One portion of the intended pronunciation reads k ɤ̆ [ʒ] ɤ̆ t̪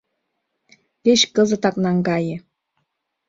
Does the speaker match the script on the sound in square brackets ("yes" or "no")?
no